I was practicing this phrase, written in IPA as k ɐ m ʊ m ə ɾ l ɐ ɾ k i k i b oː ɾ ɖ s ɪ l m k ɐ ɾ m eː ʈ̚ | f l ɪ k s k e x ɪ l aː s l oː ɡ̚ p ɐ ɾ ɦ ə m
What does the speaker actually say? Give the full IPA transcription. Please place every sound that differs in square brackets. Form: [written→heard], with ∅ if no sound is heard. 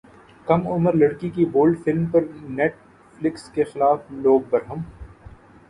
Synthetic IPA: k ɐ m ʊ m ə ɾ l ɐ [ɾ→ɽ] k i k i b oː [ɾ→l] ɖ [s→f] ɪ l m [k→p] ɐ ɾ [m→n] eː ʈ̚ | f l ɪ k s k e x ɪ l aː [s→f] l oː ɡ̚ [p→b] ɐ ɾ ɦ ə m